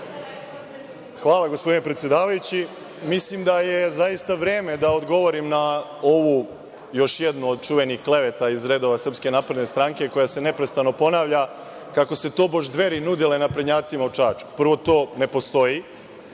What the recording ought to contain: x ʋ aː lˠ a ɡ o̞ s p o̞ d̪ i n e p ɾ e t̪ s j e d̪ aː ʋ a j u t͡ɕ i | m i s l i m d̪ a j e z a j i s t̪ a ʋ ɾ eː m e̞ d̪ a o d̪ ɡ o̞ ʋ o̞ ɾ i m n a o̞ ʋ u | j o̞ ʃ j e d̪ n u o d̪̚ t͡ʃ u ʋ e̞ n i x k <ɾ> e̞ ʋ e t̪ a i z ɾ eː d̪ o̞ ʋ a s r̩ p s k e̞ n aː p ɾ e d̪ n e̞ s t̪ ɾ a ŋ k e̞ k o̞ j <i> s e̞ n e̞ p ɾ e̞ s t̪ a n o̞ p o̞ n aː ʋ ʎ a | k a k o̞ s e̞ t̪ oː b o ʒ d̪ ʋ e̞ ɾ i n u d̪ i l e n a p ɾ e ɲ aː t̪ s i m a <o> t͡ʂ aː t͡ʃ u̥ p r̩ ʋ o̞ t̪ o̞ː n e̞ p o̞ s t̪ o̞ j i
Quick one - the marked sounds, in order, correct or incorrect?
incorrect: l, incorrect: a, incorrect: u

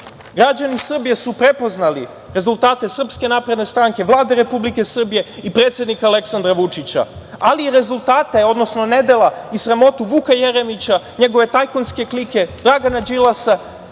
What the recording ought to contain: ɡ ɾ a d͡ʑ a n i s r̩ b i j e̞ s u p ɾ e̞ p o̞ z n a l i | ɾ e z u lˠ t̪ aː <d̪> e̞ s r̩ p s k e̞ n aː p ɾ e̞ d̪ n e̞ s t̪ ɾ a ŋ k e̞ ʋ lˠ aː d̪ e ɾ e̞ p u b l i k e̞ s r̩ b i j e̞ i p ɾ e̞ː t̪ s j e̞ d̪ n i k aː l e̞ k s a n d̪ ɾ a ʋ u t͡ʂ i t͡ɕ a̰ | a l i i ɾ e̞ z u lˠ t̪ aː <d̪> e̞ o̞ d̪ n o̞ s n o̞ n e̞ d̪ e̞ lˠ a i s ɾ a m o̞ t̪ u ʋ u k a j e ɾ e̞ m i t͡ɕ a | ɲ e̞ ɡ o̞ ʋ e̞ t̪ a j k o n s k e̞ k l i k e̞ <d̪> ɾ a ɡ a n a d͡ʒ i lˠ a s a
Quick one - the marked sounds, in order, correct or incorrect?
incorrect: t̪, incorrect: t̪, correct

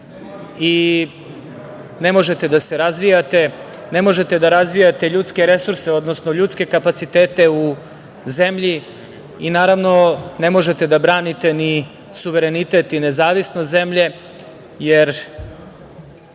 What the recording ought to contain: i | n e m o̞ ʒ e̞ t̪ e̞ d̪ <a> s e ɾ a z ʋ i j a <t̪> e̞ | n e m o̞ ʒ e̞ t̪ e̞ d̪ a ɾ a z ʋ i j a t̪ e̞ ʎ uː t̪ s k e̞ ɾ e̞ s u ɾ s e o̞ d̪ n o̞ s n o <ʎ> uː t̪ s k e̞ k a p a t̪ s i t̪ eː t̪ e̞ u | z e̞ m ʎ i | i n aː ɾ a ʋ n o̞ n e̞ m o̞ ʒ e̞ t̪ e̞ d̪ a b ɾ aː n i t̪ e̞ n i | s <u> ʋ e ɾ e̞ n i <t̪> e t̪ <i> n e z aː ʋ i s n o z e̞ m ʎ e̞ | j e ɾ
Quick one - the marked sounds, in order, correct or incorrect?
correct, correct, correct, correct, correct, correct

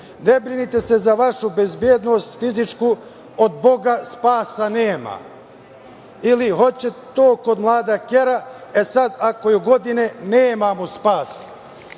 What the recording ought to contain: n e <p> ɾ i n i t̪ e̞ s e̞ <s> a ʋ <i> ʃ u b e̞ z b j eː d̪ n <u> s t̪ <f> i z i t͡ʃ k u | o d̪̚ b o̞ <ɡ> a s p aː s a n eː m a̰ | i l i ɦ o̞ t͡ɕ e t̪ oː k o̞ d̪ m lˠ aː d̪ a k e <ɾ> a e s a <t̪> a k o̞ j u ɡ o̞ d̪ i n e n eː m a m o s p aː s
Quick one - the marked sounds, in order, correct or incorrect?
incorrect: b, incorrect: z, incorrect: a, incorrect: o, correct, correct, correct, incorrect: d̪

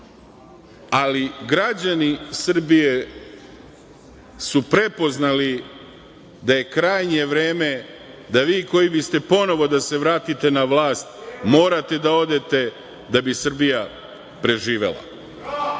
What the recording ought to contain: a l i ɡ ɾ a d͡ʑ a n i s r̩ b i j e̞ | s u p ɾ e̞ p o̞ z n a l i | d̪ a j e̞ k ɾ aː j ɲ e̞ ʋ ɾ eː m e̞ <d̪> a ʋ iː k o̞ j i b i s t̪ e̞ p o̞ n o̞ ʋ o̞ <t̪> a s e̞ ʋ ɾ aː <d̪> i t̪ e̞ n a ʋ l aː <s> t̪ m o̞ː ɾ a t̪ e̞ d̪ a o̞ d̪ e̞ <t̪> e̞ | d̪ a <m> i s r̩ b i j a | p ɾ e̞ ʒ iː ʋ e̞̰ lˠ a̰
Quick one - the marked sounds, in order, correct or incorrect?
correct, incorrect: d̪, incorrect: t̪, correct, correct, incorrect: b

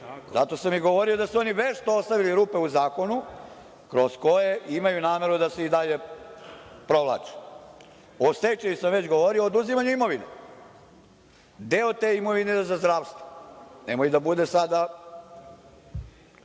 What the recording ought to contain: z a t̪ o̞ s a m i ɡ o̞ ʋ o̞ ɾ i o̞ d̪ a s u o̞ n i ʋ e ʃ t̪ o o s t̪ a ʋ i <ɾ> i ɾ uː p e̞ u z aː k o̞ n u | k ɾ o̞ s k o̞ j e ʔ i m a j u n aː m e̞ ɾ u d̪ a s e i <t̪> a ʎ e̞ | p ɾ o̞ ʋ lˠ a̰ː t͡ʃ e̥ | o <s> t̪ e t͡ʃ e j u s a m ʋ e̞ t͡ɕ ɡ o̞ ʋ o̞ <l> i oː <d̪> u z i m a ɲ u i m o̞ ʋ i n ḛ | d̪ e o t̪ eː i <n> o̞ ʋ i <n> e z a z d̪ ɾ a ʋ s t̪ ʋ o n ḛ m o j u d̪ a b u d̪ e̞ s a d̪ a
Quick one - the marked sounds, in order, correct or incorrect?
incorrect: l, incorrect: d̪, correct, incorrect: ɾ, correct, incorrect: m, correct

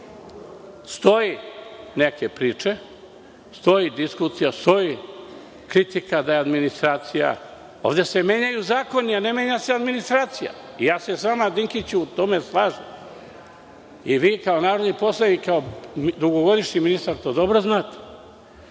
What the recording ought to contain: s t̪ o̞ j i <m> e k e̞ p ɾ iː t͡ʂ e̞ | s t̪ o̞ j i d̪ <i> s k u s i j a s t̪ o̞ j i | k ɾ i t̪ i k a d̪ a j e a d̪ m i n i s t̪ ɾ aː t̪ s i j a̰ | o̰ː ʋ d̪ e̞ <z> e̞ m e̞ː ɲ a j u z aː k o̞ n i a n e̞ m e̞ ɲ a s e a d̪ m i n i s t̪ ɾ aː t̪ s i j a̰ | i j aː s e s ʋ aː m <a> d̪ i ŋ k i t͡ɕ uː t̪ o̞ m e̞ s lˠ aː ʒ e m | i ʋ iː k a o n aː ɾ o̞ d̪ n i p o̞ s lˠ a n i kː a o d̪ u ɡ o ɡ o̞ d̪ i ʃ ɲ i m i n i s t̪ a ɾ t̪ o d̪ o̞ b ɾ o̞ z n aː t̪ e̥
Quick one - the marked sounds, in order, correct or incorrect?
incorrect: n, correct, incorrect: s, correct

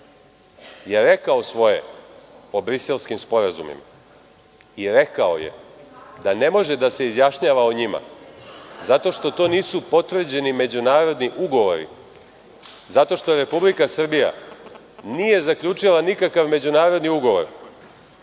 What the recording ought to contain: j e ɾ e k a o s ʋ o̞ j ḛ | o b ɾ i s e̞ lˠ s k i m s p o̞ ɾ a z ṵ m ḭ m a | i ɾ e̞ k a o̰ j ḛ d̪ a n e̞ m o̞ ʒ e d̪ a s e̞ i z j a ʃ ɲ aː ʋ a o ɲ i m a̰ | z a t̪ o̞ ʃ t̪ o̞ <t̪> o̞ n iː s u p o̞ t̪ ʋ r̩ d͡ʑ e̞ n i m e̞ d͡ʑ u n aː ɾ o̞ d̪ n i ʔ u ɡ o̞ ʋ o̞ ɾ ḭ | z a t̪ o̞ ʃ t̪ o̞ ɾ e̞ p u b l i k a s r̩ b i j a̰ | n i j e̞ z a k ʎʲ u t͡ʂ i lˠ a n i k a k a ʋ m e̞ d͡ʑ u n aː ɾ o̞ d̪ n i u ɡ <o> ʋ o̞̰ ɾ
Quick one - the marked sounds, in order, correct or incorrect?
correct, correct

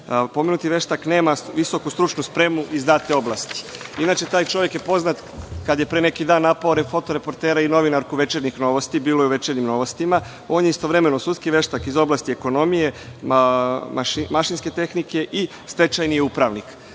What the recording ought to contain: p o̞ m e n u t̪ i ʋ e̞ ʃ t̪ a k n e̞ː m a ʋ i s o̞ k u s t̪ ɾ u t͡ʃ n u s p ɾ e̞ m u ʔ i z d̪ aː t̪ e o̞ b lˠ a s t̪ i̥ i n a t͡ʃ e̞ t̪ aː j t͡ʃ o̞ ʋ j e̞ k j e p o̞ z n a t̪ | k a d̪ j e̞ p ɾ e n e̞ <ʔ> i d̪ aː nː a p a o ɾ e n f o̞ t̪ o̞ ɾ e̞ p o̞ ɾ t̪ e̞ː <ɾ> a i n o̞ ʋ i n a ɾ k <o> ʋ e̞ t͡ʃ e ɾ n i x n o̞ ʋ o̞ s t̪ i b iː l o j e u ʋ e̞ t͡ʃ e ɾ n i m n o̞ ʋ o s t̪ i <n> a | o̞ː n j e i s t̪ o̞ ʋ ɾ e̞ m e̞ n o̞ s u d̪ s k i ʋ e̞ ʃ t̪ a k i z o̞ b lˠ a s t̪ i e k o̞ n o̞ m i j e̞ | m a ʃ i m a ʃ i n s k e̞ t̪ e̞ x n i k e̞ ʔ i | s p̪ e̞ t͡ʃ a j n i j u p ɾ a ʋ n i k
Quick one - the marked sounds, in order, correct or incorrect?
incorrect: k, correct, incorrect: u, incorrect: m

